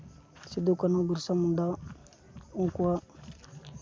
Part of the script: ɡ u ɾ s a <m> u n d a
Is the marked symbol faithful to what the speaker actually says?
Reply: yes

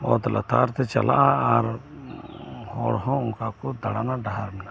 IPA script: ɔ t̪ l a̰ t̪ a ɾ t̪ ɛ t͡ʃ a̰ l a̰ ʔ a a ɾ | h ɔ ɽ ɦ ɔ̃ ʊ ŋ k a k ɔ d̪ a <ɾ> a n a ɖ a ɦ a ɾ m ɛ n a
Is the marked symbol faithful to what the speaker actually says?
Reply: no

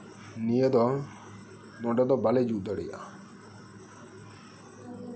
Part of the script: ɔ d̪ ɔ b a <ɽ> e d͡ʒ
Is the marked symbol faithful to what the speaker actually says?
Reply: no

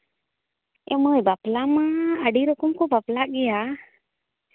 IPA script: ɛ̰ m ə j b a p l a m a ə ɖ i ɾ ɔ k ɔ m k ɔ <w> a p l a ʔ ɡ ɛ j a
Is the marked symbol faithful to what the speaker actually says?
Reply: no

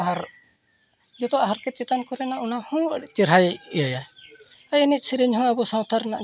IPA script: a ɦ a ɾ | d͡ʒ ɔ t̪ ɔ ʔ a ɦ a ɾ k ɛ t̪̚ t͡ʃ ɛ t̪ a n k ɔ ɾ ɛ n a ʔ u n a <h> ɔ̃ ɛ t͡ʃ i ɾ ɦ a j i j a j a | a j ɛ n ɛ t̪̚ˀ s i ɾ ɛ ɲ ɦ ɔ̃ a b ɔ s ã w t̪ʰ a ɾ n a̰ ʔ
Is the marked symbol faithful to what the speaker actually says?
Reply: yes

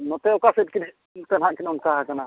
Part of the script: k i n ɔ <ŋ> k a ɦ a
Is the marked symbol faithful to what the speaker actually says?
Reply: no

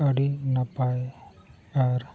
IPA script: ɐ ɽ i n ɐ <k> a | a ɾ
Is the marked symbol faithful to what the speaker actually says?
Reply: no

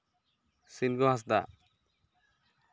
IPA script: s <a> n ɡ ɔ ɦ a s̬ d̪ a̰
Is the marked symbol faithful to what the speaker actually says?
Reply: no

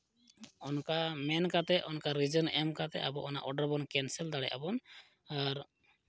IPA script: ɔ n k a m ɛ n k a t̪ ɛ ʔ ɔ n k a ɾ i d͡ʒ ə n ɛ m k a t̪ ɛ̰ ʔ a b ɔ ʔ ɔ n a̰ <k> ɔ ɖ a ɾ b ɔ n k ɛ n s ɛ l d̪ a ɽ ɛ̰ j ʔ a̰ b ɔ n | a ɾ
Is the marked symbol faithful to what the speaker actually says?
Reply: no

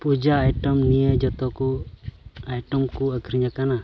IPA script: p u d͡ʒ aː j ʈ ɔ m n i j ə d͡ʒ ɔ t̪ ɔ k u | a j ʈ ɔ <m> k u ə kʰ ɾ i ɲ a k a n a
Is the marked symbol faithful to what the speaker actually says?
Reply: yes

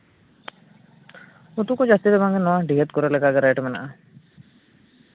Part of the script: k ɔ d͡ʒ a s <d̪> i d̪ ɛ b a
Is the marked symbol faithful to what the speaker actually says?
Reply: no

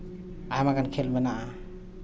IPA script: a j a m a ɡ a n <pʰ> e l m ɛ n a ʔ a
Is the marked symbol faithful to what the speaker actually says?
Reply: no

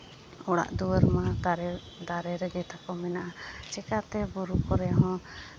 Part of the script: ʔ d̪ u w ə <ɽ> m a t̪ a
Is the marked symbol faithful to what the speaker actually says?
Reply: no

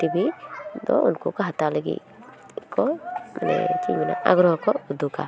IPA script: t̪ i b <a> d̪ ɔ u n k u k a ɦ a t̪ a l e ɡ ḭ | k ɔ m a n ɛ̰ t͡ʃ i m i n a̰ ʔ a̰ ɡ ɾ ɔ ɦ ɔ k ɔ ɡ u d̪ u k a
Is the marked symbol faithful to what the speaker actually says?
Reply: no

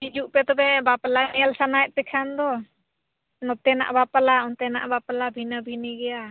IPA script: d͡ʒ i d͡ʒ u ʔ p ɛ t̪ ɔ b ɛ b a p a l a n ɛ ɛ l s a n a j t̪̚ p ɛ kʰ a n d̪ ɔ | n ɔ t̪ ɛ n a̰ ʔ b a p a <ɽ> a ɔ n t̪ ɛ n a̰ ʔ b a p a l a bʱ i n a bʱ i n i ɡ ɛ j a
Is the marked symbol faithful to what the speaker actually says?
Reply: no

